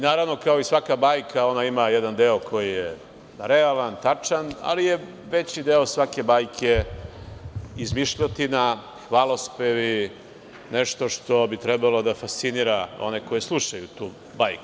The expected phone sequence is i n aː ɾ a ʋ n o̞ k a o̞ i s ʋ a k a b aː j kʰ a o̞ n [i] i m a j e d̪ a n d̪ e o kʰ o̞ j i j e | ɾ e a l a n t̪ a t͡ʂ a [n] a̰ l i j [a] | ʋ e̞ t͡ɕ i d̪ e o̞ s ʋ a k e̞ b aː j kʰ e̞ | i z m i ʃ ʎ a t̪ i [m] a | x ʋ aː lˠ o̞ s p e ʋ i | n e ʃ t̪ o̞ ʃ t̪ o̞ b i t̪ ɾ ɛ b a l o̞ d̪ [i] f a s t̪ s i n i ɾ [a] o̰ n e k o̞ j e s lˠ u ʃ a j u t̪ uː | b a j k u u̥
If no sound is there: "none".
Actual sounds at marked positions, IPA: a, n, e, n, a, a

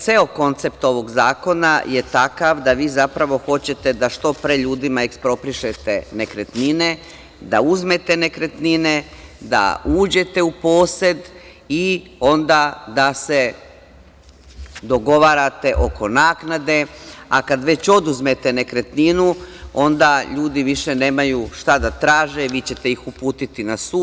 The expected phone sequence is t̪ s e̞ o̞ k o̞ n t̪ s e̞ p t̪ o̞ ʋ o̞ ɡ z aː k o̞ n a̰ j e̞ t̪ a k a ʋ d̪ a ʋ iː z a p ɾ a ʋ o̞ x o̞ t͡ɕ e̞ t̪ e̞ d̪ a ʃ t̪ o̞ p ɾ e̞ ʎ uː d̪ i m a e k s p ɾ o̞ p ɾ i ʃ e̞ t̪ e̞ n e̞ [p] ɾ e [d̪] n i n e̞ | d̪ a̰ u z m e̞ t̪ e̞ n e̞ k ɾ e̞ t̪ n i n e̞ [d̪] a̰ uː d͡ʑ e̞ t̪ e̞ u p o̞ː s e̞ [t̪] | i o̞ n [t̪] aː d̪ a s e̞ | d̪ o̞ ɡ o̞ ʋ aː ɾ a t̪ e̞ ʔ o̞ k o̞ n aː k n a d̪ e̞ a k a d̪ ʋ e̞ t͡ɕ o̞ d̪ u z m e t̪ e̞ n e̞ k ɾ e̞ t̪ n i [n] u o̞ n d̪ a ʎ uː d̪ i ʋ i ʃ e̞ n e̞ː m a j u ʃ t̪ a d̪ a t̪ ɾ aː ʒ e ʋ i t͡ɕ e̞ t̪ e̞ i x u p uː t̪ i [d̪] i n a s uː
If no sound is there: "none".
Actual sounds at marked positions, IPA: k, t̪, d̪, d̪, d̪, n, t̪

